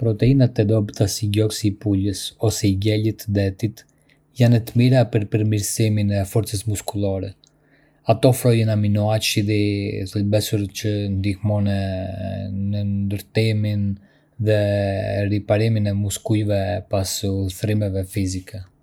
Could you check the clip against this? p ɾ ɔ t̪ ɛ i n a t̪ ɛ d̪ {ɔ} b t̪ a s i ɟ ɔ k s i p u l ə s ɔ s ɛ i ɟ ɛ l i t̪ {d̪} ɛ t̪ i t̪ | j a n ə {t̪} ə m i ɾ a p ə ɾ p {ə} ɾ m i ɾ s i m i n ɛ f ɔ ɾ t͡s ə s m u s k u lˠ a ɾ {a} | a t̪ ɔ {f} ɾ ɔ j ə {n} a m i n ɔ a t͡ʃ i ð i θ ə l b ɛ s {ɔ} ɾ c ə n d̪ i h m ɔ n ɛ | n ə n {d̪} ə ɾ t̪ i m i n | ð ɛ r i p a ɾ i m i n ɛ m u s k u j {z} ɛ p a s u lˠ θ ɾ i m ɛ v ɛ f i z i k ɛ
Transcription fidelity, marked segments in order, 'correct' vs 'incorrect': correct, correct, correct, correct, incorrect, correct, correct, incorrect, correct, incorrect

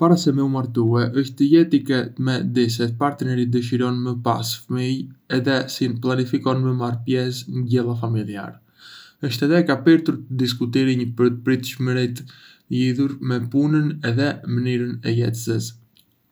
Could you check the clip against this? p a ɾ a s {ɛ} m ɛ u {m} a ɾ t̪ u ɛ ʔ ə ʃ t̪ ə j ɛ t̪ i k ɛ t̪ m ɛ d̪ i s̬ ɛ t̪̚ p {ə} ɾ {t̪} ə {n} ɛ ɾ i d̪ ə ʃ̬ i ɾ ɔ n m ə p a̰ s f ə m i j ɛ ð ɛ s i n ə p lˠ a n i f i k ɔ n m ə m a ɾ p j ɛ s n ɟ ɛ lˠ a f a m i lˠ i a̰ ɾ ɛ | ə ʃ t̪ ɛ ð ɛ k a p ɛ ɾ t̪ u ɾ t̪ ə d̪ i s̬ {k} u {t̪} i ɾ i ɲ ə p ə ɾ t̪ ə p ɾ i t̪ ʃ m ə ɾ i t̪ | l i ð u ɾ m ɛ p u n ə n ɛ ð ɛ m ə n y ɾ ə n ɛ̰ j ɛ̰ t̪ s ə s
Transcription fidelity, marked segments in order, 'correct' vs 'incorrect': correct, correct, incorrect, correct, correct, correct, correct

